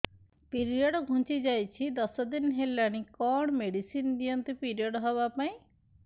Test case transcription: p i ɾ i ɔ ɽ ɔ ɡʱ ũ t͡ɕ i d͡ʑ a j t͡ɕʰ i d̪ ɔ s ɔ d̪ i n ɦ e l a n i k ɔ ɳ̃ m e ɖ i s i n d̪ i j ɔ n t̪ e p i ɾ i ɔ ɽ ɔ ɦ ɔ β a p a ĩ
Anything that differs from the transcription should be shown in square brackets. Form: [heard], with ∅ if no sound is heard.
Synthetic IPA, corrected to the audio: p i ɾ i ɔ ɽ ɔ ɡʱ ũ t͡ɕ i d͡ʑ a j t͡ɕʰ i d̪ ɔ s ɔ d̪ i n ɦ e l a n i k ɔ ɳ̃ m e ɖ i s i n d̪ i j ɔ n t̪ e p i ɾ i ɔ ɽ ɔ ɦ ɔ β a p a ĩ